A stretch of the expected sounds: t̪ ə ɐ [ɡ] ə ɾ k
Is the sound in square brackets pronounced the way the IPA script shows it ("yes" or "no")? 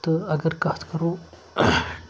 yes